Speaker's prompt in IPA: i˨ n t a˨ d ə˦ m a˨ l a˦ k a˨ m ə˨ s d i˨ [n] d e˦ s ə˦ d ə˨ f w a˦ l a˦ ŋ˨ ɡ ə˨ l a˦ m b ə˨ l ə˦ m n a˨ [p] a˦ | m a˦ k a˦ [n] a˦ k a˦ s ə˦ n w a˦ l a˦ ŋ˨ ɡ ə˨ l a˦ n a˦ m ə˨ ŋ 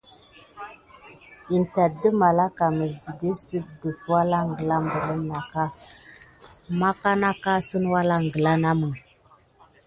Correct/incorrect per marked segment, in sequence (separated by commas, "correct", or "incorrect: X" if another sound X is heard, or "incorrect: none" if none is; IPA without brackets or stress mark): incorrect: none, incorrect: k, correct